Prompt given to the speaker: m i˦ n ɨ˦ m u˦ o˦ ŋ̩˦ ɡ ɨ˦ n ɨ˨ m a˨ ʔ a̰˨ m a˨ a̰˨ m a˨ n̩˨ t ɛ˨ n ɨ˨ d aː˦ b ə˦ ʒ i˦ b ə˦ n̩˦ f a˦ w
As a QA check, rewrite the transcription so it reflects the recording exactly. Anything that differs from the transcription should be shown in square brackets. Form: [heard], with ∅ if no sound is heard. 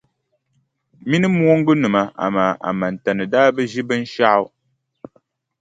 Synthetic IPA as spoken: m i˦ n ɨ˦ m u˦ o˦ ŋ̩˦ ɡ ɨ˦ n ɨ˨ m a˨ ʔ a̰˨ m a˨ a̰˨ m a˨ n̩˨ t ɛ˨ n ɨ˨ d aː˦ b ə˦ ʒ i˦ b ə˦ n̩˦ [ʃ] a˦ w